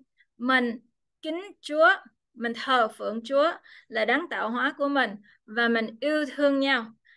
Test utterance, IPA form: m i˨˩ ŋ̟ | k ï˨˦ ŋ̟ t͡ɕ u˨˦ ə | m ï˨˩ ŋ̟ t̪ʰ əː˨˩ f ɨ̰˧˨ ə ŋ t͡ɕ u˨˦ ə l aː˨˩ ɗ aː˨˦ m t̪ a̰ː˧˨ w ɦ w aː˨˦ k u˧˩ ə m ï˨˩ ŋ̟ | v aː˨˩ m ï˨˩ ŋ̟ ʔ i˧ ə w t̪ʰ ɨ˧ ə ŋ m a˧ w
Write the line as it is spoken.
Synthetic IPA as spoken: m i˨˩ ŋ̟ | k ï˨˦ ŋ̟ t͡ɕ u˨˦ ə | m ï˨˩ ŋ̟ t̪ʰ əː˨˩ f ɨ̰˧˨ ə ŋ t͡ɕ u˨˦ ə l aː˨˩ ɗ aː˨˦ ŋ t̪ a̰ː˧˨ w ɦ w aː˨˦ k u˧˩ ə m ï˨˩ ŋ̟ | v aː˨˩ m ï˨˩ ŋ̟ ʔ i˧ ə w t̪ʰ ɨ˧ ə ŋ ɲ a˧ w